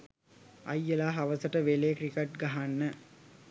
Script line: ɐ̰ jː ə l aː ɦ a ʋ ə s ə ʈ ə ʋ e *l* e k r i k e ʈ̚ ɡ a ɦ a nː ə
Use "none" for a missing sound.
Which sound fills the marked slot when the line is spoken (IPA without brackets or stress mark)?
l